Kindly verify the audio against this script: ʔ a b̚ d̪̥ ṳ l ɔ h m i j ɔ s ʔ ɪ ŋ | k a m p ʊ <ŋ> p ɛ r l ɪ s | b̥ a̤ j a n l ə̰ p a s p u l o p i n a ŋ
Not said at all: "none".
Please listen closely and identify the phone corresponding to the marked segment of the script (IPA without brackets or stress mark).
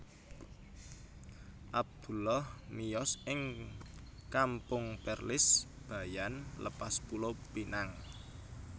ŋ